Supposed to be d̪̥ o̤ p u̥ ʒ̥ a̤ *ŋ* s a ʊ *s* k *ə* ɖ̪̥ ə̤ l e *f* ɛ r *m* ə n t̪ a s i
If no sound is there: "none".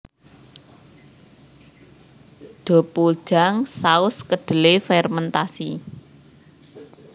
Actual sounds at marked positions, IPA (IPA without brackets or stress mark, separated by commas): ŋ, s, ə, f, m